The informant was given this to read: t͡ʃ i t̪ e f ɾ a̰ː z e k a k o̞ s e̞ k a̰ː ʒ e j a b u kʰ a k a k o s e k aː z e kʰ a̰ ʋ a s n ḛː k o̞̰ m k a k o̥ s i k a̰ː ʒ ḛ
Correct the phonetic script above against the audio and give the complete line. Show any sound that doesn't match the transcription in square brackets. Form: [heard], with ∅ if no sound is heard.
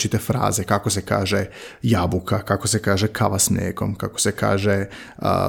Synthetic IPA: t͡ʃ i t̪ e f ɾ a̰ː z e k a k o̞ s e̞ k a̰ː ʒ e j a b u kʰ a k a k o s e k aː [ʒ] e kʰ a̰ ʋ a s n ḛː k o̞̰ m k a k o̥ s [e] k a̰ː ʒ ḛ